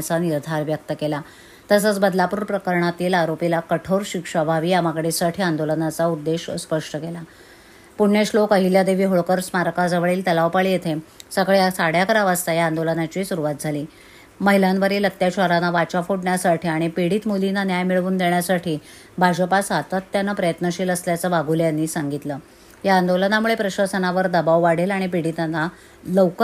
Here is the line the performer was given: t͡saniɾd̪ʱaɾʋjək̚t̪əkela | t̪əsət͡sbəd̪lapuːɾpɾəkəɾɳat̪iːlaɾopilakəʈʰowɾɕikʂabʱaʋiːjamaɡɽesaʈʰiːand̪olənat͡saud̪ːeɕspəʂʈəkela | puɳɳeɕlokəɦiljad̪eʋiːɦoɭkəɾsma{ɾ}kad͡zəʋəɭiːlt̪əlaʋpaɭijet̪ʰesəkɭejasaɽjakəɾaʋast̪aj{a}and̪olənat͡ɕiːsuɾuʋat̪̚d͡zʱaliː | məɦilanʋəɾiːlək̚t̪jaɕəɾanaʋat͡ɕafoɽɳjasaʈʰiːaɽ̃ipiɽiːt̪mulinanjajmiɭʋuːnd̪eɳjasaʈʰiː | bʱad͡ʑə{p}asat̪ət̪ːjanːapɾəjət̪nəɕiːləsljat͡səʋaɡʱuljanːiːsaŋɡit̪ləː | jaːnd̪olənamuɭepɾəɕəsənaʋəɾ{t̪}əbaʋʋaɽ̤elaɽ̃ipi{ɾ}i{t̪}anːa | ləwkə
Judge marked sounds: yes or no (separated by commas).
yes, yes, yes, no, no, yes